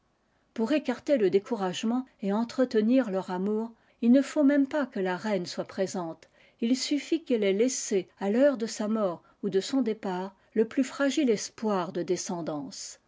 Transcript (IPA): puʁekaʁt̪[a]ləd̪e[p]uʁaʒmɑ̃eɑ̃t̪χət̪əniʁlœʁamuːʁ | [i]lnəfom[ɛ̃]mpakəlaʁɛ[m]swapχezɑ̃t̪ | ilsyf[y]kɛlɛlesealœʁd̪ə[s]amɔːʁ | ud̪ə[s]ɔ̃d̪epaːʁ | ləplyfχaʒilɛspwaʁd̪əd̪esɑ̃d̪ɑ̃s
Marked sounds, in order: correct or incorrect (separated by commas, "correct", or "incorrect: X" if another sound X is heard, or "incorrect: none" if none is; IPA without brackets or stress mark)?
incorrect: e, incorrect: k, correct, incorrect: ɛ, incorrect: n, incorrect: i, correct, correct